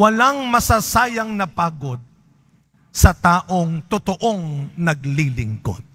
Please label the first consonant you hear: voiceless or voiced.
voiced